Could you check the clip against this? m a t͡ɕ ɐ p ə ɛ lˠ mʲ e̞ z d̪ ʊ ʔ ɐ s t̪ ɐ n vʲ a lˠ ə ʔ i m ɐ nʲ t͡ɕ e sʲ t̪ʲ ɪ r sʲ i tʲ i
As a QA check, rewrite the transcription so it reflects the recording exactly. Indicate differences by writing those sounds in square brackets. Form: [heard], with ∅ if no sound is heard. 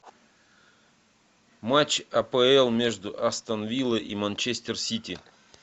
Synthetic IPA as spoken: m a t͡ɕ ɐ p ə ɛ lˠ mʲ e̞ [ʐ] d̪ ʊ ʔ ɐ s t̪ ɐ n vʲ [i] lˠ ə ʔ i m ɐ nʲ t͡ɕ e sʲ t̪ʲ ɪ r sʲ i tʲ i